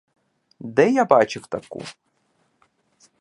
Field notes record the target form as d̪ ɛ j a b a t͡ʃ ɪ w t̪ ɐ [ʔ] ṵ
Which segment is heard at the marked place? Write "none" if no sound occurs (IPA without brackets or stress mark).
k